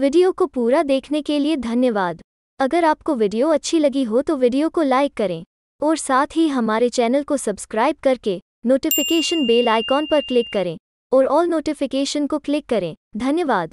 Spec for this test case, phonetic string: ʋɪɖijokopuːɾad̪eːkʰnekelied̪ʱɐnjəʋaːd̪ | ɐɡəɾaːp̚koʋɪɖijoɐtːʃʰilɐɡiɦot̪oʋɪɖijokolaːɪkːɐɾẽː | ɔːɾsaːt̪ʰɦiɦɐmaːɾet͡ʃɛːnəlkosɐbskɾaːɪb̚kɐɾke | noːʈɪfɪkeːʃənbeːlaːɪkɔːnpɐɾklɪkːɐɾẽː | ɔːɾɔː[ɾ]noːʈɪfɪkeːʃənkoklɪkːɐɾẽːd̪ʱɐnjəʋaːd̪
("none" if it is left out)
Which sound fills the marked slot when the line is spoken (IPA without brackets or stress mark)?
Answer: l